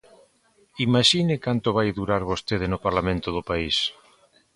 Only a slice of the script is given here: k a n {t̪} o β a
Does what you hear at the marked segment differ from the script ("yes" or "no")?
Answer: no